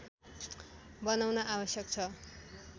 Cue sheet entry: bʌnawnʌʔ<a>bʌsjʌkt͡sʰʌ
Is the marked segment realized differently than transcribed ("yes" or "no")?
no